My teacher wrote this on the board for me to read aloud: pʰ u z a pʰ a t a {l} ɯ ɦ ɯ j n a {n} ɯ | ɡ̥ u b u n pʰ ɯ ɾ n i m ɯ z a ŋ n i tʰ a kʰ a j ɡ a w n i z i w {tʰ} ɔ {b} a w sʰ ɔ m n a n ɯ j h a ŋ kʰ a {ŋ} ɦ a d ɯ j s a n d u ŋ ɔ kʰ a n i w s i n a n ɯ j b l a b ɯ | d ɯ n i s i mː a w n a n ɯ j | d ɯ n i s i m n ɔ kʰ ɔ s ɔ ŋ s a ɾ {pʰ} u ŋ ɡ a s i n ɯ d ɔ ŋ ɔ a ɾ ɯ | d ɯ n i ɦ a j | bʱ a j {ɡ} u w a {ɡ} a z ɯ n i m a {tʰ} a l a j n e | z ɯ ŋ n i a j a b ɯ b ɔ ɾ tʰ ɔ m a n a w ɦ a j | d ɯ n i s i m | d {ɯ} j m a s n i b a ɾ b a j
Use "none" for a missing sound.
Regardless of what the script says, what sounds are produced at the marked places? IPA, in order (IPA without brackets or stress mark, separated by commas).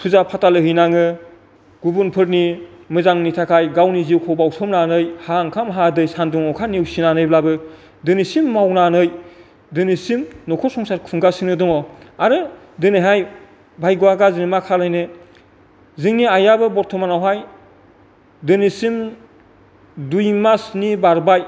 l, ŋ, kʰ, b, m, kʰ, ɡ, ɡ, kʰ, u